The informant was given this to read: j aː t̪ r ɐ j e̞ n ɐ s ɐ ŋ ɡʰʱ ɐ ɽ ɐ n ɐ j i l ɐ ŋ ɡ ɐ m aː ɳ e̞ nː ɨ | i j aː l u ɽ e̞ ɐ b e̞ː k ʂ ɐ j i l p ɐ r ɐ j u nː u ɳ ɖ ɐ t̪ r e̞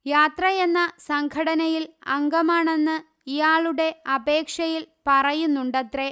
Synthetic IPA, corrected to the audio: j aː t̪ r ɐ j e̞ nː ɐ s ɐ ŋ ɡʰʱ ɐ ɽ ɐ n ɐ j i l ɐ ŋ ɡ ɐ m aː ɳ e̞ nː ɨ | i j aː ɭ u ɽ e̞ ɐ b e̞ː k ʂ ɐ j i l p ɐ r ɐ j u nː u ɳ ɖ ɐ t̪ r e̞